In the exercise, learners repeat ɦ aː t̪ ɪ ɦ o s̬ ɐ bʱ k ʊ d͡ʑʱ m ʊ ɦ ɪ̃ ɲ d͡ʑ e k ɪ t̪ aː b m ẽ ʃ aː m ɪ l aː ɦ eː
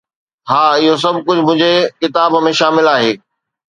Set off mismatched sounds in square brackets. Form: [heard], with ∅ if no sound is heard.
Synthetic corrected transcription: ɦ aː [∅] ɪ ɦ o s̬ ɐ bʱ k ʊ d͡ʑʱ m [ʊ̃] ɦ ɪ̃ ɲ d͡ʑ e k ɪ t̪ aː b m ẽ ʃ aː m ɪ l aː ɦ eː